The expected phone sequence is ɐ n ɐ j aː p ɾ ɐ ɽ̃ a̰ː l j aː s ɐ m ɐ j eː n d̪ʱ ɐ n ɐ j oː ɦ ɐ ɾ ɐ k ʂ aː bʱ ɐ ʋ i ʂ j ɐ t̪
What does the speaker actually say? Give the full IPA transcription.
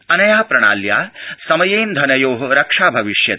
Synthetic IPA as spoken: ɐ n ɐ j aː p ɾ ɐ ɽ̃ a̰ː l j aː s ɐ m ɐ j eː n d̪ʱ ɐ n ɐ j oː ɦ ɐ ɾ ɐ k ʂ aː bʱ ɐ ʋ i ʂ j ɐ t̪